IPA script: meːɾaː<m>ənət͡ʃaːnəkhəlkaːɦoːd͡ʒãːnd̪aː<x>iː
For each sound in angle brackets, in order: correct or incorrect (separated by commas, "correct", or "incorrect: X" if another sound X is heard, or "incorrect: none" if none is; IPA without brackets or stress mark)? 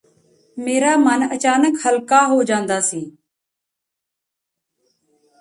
correct, incorrect: s